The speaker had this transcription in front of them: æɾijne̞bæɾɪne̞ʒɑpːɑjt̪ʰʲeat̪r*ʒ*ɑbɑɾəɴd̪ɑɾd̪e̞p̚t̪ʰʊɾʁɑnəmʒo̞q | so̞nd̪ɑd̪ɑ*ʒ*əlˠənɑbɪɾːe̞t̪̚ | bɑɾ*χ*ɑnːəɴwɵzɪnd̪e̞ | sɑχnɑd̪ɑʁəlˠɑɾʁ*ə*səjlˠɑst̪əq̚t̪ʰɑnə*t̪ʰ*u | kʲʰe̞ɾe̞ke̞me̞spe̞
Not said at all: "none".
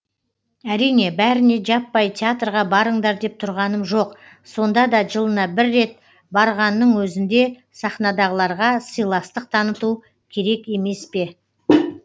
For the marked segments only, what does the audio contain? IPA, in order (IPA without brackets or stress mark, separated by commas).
ʁ, ʒ, ʁ, ɑ, t̪